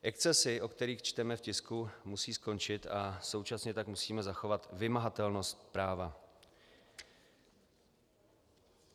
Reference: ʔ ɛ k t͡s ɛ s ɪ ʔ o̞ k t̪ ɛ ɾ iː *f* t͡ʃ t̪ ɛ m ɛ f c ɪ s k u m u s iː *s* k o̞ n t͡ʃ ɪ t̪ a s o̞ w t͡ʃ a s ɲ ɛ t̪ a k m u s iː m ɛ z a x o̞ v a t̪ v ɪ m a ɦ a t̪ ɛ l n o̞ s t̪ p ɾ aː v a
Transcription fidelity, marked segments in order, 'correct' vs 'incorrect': incorrect, correct

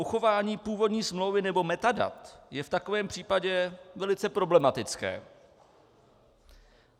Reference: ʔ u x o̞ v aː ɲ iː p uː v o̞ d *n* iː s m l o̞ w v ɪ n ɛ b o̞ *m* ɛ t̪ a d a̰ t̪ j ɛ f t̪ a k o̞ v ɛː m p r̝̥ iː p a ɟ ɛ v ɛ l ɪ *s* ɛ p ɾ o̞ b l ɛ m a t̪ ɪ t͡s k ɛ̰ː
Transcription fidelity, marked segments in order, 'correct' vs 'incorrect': incorrect, correct, incorrect

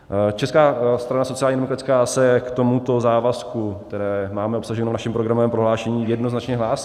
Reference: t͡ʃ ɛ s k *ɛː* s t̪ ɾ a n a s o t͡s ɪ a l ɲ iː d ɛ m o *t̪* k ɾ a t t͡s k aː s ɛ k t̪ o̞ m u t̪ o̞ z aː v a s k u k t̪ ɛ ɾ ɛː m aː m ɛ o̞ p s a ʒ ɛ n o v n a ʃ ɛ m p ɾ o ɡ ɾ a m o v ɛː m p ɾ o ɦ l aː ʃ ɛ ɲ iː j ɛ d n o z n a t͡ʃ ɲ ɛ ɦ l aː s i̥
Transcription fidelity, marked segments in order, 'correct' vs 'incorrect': incorrect, incorrect

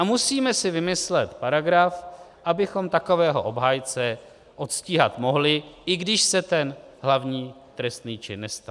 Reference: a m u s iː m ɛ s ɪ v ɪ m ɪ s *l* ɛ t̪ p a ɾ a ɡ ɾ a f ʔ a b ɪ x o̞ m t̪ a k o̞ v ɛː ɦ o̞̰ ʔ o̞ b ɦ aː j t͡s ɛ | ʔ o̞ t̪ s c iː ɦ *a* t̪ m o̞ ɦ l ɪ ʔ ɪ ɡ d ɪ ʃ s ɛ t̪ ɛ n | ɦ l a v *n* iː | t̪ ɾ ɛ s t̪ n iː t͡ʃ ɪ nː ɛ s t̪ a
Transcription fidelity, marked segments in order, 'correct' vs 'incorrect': correct, correct, incorrect

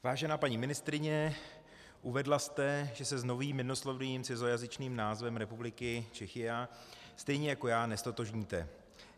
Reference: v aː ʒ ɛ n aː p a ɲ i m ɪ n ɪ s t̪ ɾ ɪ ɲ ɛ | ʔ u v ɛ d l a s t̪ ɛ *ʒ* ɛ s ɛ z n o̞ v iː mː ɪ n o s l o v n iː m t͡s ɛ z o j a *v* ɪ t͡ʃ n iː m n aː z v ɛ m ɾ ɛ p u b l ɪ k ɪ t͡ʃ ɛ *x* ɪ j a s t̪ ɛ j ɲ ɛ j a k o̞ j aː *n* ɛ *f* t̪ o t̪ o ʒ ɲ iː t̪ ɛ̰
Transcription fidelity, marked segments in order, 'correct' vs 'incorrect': correct, incorrect, correct, correct, incorrect

